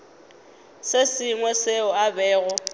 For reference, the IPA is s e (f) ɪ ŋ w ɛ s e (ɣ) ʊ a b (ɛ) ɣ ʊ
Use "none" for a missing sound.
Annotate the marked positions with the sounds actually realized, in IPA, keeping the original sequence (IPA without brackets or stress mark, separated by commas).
s, none, ɛː